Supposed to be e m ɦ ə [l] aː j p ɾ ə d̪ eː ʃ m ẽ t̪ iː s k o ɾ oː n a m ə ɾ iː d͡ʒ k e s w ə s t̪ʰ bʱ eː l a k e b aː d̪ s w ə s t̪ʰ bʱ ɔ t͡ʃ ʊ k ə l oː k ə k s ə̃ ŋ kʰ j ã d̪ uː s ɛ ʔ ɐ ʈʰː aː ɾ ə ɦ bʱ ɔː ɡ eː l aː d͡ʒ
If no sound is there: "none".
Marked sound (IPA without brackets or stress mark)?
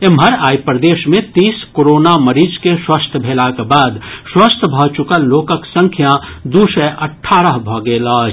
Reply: ɾ